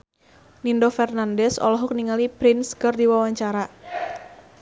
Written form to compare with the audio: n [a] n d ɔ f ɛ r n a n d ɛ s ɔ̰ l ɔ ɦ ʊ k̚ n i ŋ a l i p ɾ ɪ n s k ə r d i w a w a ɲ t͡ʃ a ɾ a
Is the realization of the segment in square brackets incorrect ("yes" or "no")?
yes